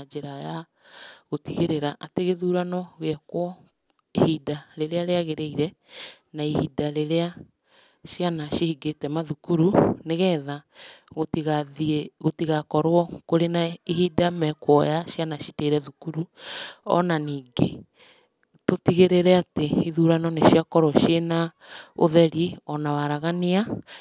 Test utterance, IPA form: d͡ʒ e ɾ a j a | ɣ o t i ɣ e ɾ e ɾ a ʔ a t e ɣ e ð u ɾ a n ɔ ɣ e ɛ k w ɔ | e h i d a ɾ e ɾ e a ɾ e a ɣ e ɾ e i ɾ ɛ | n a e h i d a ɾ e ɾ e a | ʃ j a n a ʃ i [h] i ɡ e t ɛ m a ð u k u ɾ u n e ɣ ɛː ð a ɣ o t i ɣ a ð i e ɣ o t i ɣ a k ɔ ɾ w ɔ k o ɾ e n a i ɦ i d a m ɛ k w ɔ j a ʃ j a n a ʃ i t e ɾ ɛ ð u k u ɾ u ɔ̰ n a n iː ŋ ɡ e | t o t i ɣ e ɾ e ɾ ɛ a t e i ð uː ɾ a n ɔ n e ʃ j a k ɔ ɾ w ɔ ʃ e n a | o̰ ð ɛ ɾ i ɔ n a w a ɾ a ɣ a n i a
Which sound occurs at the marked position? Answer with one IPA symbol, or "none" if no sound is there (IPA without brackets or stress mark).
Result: h